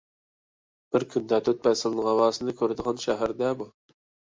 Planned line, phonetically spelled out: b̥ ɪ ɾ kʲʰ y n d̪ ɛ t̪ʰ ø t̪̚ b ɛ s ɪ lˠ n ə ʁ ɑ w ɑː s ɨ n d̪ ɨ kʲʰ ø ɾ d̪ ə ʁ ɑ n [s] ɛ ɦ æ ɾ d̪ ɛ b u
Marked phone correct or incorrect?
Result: incorrect